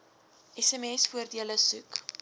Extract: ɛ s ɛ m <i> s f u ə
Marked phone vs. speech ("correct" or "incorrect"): incorrect